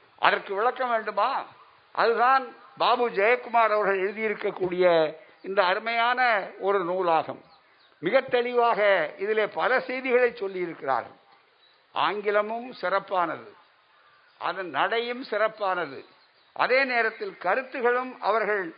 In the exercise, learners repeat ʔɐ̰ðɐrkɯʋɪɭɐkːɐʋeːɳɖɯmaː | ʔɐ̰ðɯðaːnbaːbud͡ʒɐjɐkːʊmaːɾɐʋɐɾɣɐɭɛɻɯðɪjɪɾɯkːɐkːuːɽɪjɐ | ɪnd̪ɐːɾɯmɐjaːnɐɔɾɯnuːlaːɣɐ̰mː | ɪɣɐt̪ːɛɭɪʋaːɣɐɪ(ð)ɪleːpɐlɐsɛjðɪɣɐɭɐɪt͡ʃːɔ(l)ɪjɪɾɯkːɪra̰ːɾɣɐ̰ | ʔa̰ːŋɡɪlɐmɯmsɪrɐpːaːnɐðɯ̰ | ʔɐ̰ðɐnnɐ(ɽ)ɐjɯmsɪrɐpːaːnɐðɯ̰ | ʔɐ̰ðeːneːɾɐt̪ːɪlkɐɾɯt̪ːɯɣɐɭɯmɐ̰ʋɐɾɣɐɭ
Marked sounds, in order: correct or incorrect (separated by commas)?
correct, incorrect, correct